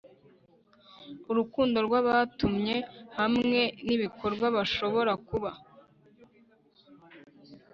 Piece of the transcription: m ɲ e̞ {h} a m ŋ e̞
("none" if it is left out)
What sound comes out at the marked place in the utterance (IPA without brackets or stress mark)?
h